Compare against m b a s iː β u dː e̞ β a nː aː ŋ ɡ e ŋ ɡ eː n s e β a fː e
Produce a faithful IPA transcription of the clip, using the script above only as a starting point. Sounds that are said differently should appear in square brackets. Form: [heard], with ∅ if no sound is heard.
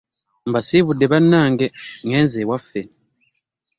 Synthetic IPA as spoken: m b a s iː β u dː e̞ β a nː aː ŋ ɡ e ŋ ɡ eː n [z] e [w] a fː e